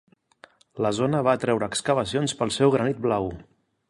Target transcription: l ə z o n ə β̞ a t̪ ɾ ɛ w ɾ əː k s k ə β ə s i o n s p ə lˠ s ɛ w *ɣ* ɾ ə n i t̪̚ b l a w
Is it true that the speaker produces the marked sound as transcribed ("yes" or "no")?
yes